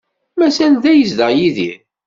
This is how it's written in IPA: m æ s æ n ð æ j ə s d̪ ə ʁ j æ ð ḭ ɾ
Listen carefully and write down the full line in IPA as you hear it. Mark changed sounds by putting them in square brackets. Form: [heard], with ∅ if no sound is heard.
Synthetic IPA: m æ s æ n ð æ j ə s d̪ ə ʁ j [i] ð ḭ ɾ